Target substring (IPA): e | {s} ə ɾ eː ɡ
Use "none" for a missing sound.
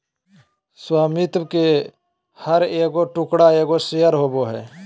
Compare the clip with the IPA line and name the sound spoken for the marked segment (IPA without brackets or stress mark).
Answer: h